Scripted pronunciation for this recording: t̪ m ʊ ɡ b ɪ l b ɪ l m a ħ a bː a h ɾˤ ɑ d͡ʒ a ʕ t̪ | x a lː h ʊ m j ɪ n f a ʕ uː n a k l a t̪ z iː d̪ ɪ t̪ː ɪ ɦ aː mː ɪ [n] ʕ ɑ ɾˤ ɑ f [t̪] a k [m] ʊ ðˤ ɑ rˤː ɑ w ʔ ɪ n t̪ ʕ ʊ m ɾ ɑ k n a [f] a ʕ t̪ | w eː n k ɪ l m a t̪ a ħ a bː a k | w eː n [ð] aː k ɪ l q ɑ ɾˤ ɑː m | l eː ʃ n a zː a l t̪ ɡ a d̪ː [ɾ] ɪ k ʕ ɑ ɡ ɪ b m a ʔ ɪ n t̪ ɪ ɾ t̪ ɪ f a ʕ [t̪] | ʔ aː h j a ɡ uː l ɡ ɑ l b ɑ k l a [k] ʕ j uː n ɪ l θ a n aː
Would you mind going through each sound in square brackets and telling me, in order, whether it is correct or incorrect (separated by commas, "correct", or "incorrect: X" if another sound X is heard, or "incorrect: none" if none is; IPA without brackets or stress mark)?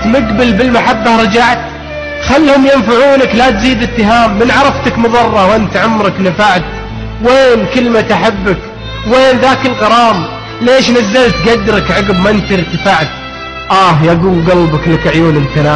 correct, correct, correct, correct, correct, correct, correct, correct